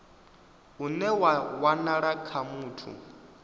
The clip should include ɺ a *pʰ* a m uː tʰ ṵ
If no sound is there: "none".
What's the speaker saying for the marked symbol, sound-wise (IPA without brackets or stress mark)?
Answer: kʰ